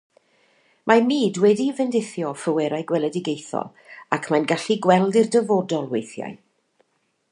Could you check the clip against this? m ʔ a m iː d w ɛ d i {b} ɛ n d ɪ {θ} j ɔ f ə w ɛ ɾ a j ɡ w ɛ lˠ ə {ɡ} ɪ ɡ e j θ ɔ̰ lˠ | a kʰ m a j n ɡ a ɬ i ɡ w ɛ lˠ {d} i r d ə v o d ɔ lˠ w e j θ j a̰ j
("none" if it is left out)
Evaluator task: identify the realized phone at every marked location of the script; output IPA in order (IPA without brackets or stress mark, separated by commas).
v, θ, d, d